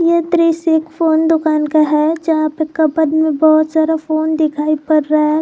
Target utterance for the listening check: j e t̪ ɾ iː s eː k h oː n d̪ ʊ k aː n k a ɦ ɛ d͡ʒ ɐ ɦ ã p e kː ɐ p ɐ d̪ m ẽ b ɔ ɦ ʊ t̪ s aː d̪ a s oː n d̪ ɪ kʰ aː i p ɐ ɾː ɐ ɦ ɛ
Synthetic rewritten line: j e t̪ ɾ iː s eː k f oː n d̪ ʊ k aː n k a ɦ ɛ d͡ʒ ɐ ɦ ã p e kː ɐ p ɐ d̪ m ẽ b ɔ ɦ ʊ t̪ s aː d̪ a f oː n d̪ ɪ kʰ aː i p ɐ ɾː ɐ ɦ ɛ